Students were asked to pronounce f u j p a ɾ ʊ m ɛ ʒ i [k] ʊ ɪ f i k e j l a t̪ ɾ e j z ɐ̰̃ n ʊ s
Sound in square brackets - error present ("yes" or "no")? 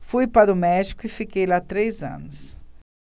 no